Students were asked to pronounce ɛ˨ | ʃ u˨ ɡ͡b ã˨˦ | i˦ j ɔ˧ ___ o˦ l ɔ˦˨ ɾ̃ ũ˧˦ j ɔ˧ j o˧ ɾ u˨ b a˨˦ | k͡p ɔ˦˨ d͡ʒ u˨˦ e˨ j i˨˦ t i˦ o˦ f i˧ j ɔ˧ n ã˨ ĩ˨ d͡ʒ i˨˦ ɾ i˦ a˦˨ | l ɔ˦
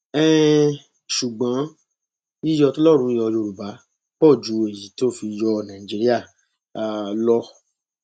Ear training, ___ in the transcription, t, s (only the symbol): t